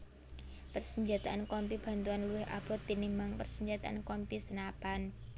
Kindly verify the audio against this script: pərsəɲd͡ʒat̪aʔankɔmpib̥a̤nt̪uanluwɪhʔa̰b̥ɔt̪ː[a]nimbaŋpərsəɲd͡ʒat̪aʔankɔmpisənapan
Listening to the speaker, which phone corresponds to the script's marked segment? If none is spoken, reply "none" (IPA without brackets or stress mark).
i